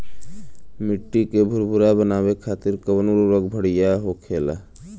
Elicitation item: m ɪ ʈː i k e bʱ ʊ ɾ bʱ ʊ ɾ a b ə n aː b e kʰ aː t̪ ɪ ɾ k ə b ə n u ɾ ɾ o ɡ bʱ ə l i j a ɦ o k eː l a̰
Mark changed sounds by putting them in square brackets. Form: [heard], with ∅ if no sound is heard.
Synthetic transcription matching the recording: m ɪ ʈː i k e bʱ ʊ ɾ bʱ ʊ ɾ a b ə n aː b e kʰ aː t̪ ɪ ɾ k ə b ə n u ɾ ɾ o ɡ bʱ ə [ɽ] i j a ɦ o [kʰ] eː l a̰